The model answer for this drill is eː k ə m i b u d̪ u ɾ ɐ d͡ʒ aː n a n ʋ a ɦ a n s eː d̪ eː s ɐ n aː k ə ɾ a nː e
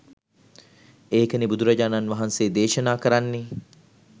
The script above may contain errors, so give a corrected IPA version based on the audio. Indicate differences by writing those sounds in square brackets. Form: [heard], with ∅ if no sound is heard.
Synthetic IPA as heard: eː k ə [n] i b u d̪ u ɾ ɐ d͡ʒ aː n a n ʋ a ɦ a n s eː d̪ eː [ʃ] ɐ n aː k ə ɾ a nː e